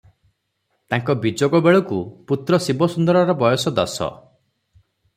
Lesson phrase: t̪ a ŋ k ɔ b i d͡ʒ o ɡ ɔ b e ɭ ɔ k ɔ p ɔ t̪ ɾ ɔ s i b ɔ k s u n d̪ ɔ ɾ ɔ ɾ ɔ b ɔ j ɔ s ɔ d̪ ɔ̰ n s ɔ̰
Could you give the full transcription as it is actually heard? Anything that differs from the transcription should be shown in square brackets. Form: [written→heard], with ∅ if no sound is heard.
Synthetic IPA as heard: t̪ a ŋ k ɔ b i d͡ʒ o ɡ ɔ b e ɭ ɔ k [ɔ→u] p [ɔ→u] t̪ ɾ ɔ s i b ɔ [k→∅] s u n d̪ ɔ ɾ ɔ ɾ ɔ b ɔ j ɔ s ɔ d̪ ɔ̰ [n→∅] s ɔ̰